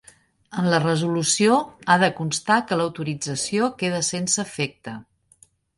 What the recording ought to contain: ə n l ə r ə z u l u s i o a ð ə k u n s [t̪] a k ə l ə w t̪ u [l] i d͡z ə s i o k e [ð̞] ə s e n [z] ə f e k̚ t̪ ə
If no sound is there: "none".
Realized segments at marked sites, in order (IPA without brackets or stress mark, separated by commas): t̪, ɾ, ð̞, s